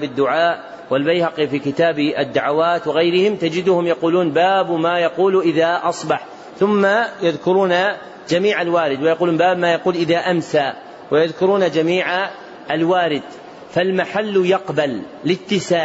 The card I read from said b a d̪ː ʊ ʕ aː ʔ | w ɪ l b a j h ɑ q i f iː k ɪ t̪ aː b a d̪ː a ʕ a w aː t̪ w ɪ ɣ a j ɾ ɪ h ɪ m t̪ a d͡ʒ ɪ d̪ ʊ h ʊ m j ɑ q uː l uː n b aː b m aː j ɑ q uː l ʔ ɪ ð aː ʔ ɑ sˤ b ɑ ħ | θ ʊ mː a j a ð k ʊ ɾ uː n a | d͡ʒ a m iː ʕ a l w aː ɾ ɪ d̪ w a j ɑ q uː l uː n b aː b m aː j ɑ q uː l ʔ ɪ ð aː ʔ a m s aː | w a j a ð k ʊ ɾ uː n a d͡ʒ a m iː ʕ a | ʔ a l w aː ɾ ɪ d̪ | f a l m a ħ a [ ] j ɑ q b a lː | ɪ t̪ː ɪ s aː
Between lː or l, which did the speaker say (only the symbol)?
lː